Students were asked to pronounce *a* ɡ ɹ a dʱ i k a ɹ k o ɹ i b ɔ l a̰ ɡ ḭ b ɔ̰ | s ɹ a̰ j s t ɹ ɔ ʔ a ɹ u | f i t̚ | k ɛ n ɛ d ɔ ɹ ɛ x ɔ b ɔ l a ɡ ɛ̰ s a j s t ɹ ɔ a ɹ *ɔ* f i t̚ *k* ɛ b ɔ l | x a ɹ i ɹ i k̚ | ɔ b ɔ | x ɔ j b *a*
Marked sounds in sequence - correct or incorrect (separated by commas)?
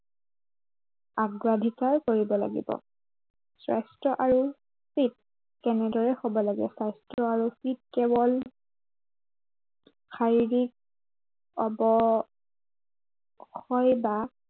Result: correct, incorrect, correct, correct